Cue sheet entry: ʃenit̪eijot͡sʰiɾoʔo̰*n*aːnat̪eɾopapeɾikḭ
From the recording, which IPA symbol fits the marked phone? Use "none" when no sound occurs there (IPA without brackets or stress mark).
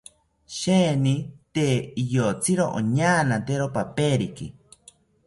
ɲ